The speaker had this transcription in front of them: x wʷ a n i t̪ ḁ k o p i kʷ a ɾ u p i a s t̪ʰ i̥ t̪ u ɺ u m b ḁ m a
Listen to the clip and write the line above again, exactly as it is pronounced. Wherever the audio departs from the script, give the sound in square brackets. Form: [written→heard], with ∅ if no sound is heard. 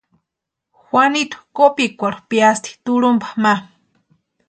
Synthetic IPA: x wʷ a n i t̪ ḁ k o p i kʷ a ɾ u p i a s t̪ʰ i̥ t̪ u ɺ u m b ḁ m a